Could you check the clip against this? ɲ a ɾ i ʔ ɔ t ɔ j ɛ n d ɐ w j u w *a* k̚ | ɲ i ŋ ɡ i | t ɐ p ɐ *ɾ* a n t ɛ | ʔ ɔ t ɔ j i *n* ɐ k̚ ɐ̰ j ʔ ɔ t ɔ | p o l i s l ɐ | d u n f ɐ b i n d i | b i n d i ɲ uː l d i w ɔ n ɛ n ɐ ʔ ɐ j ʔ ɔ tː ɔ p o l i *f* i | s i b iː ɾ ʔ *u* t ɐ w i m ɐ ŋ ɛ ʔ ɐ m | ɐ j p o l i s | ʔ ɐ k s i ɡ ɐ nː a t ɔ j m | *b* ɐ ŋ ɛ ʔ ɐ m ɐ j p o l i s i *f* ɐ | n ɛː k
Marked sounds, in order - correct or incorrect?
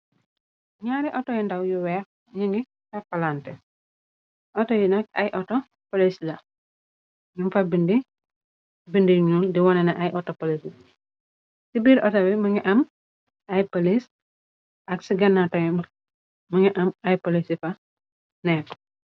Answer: incorrect, incorrect, correct, incorrect, incorrect, incorrect, correct

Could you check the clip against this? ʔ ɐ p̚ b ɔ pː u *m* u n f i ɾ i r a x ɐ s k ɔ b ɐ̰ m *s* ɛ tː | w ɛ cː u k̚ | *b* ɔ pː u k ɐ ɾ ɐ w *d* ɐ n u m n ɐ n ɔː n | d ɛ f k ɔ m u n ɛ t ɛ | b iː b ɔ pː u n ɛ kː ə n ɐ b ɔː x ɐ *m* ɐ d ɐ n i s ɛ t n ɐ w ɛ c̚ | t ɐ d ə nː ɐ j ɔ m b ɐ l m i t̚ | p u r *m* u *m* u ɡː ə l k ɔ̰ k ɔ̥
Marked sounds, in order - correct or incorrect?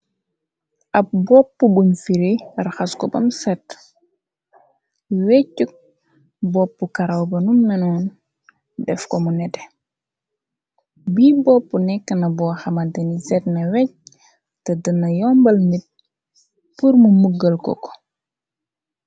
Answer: incorrect, correct, correct, incorrect, correct, correct, correct

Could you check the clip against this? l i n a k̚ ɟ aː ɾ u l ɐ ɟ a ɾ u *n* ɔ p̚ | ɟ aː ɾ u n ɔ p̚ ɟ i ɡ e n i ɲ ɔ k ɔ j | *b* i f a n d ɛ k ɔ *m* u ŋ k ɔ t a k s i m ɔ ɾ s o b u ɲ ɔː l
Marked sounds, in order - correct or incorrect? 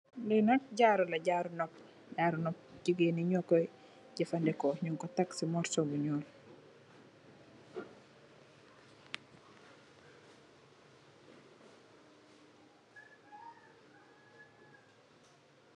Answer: correct, incorrect, incorrect

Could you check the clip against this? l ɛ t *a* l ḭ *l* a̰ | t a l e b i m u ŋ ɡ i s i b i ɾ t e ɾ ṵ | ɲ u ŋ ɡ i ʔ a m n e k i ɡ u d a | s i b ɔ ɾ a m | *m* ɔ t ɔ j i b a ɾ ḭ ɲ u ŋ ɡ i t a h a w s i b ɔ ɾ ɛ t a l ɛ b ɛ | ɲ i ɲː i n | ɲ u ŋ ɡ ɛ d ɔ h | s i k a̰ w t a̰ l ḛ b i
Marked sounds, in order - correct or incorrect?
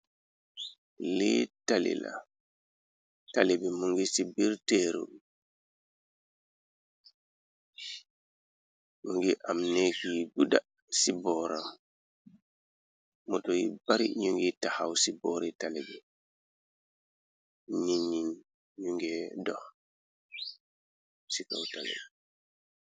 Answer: correct, correct, correct

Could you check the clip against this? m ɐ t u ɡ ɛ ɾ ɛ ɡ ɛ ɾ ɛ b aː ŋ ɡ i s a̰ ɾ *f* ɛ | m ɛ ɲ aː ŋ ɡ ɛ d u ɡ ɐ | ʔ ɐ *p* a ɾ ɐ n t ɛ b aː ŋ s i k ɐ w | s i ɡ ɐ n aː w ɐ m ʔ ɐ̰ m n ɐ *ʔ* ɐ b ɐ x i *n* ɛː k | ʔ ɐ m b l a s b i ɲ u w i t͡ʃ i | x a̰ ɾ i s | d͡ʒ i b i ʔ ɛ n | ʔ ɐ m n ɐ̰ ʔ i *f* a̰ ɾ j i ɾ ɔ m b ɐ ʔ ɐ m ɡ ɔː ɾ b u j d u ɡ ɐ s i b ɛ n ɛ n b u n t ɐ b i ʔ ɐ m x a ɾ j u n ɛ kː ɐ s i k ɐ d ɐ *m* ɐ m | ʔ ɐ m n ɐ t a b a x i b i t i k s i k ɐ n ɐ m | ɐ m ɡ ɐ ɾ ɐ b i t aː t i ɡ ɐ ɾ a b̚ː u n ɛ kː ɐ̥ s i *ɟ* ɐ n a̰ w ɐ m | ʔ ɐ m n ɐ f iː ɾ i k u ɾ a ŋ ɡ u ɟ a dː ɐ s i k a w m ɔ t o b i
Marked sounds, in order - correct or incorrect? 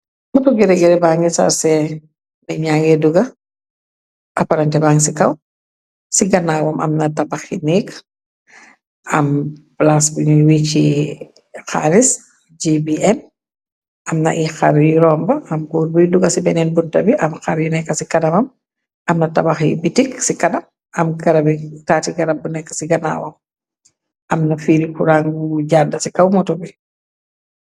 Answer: incorrect, correct, incorrect, correct, incorrect, correct, incorrect

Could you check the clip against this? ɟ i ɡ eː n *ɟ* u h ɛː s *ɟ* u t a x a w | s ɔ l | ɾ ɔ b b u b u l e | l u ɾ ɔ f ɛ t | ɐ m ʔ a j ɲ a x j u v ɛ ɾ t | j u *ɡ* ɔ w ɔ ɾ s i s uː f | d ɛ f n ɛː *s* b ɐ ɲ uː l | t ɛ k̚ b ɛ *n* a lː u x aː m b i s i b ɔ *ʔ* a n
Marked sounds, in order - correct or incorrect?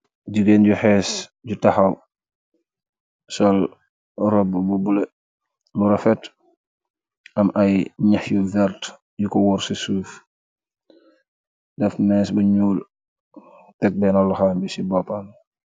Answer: correct, correct, incorrect, correct, correct, incorrect

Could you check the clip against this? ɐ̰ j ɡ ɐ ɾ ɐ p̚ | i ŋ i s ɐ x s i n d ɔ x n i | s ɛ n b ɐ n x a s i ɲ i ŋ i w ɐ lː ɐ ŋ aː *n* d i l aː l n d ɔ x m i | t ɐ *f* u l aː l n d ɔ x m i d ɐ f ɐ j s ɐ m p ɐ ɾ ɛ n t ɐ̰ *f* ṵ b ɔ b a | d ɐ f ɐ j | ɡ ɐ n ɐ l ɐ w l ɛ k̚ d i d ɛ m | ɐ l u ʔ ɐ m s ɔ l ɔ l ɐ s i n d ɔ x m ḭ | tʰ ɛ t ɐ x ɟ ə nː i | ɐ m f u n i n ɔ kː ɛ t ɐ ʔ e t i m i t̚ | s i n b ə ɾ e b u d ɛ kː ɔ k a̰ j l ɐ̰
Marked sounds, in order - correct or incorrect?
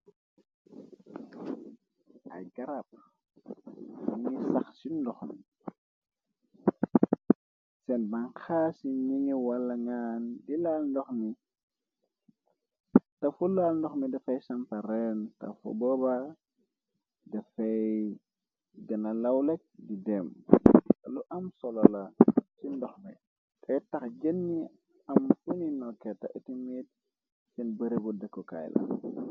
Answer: correct, correct, correct

